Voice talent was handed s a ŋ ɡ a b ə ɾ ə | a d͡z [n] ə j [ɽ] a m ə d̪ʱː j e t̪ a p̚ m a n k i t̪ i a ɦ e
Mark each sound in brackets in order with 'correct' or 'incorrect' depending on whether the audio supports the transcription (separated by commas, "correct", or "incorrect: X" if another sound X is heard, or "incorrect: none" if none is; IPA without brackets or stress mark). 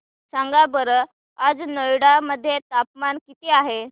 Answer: correct, correct